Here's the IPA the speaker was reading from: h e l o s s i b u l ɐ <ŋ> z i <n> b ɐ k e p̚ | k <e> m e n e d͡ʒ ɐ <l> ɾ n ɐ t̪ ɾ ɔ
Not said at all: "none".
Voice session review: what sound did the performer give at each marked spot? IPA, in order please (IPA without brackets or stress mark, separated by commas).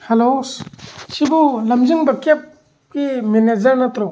m, ŋ, i, none